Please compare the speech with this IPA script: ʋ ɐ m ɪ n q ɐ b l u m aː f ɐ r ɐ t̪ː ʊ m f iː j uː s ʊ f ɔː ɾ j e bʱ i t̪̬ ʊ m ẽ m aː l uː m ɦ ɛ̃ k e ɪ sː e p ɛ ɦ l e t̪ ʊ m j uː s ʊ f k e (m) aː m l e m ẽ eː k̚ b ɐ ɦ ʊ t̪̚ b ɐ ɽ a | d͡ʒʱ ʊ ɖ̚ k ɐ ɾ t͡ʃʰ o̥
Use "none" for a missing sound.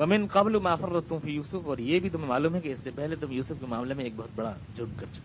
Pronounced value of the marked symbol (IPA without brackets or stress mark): m